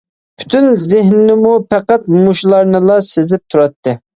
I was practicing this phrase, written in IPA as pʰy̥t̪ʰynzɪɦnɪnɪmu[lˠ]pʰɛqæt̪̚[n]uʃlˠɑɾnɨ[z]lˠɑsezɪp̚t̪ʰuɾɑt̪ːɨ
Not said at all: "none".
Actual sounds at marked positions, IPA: none, m, none

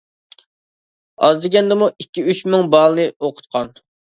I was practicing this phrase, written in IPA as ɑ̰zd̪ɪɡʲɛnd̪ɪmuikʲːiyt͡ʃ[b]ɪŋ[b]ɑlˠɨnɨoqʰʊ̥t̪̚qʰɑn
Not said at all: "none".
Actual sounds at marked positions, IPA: m, b

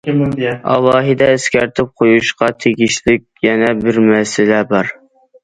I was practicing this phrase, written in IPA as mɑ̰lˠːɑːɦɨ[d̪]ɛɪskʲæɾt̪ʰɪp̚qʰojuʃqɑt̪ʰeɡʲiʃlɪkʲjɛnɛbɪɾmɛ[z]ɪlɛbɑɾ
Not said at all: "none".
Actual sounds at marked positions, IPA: d̪, s

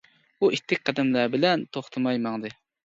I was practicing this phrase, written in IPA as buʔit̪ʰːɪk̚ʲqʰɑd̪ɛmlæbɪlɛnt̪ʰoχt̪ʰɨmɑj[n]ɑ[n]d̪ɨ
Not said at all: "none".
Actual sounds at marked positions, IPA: m, ŋ

